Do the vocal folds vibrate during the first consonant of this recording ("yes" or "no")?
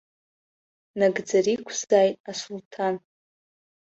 yes